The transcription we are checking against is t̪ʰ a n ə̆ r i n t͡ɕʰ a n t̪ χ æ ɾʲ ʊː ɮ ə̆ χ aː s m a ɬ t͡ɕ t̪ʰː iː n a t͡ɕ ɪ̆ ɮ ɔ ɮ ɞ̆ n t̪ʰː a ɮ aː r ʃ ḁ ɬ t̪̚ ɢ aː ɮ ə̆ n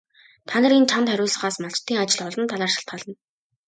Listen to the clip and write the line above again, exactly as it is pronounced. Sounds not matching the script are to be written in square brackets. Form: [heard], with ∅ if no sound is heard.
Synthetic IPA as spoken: t̪ʰ a n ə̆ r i n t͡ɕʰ a n t̪ χ æ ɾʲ ʊː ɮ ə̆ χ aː s m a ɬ t͡ɕ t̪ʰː iː [ŋ] a t͡ɕ ɪ̆ ɮ ɔ ɮ ɞ̆ n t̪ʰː a ɮ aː r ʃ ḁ ɬ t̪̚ ɢ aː ɮ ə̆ n